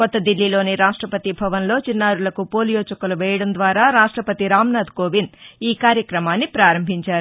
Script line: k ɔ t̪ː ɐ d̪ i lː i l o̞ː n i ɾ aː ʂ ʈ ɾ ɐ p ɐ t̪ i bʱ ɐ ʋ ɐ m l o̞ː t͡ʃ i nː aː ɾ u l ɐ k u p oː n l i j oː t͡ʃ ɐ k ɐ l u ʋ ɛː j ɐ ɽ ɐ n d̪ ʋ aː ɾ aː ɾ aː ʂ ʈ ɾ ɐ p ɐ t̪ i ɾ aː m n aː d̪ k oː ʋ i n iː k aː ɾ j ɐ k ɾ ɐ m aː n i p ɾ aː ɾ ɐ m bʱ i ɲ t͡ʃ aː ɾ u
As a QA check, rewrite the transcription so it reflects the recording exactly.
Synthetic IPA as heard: k ɔ t̪ː ɐ d̪ i lː i l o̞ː n i ɾ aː ʂ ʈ ɾ ɐ p ɐ t̪ i bʱ ɐ ʋ ɐ n l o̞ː t͡ʃ i nː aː ɾ u l ɐ k u p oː l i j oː t͡ʃ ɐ k ɐ l u ʋ ɛː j ɐ ɽ ɐ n d̪ ʋ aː ɾ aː ɾ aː ʂ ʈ ɾ ɐ p ɐ t̪ i ɾ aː m n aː d̪ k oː ʋ i n iː k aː ɾ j ɐ k ɾ ɐ m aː nː i p ɾ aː ɾ ɐ m bʱ i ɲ t͡ʃ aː ɾ u